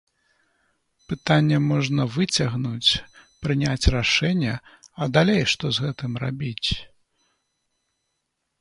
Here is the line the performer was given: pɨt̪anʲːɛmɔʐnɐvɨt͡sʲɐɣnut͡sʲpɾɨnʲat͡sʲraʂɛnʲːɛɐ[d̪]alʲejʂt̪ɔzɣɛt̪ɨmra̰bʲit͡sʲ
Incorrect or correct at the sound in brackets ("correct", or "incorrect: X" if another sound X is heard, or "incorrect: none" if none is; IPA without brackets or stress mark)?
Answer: correct